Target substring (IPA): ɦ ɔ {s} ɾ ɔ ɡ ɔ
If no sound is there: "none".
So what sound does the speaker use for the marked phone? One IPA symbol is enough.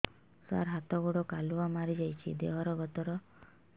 none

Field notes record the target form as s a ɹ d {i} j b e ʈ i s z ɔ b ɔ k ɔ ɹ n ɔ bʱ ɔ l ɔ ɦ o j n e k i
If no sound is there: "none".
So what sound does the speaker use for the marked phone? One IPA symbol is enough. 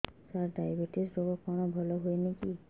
a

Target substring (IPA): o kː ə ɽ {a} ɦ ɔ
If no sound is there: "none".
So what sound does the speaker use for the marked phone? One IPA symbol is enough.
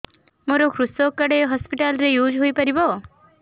e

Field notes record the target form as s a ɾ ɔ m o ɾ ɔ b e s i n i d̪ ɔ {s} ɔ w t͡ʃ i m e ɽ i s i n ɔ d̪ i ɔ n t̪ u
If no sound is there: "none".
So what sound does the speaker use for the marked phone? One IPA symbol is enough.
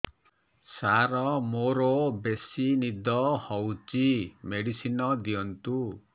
h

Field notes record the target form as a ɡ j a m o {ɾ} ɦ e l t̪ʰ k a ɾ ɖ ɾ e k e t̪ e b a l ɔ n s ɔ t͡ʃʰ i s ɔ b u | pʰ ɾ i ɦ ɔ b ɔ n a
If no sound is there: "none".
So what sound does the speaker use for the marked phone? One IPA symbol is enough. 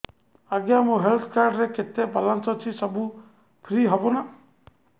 none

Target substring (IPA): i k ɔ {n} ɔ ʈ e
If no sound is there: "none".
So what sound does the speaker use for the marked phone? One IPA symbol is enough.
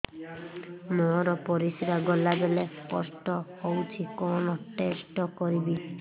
n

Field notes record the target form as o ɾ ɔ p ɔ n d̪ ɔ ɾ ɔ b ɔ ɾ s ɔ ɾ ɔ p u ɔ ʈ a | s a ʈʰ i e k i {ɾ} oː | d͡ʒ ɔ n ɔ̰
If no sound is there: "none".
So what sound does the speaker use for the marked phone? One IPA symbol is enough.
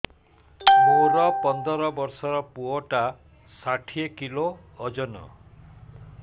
l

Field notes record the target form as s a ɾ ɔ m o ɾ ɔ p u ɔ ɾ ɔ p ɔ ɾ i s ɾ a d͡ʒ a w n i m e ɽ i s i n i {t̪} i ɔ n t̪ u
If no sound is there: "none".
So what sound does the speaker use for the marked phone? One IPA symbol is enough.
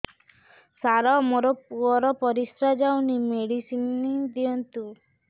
d̪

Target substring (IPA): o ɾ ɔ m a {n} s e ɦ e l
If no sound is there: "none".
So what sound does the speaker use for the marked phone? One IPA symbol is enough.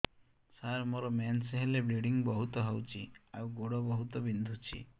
n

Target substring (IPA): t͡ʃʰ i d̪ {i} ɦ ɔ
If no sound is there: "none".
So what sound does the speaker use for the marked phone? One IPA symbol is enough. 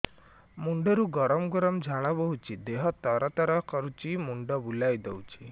e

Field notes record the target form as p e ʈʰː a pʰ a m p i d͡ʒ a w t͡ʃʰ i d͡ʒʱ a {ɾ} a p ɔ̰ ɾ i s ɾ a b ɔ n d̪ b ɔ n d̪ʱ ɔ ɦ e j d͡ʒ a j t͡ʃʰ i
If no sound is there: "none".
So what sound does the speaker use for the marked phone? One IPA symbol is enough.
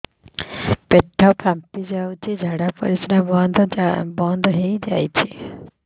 ɽ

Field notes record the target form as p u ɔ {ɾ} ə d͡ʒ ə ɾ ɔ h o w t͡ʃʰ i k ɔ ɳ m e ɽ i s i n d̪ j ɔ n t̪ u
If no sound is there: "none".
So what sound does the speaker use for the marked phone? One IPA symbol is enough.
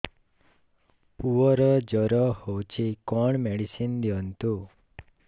ɾ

